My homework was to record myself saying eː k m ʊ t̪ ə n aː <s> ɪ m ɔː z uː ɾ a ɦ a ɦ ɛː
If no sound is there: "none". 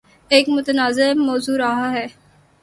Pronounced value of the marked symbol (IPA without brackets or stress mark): z